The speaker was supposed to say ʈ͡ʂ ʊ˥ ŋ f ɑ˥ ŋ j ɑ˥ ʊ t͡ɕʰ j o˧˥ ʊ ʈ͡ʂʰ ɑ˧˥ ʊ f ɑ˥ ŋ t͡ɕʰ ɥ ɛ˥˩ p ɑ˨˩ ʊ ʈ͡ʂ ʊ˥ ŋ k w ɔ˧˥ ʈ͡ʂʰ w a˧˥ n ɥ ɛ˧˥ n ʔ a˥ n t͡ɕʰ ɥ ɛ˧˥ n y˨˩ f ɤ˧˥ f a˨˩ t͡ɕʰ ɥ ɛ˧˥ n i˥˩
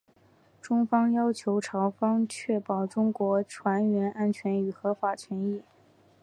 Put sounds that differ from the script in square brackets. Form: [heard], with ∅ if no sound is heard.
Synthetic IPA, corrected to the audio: ʈ͡ʂ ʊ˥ ŋ f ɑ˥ ŋ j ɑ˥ ʊ t͡ɕʰ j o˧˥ ʊ ʈ͡ʂʰ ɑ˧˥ ʊ f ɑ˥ ŋ t͡ɕʰ ɥ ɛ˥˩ p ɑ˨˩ ʊ ʈ͡ʂ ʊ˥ ŋ k w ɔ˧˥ ʈ͡ʂʰ w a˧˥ n ɥ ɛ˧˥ n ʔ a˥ n t͡ɕʰ ɥ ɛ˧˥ n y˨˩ [x] ɤ˧˥ f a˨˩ t͡ɕʰ ɥ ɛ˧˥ n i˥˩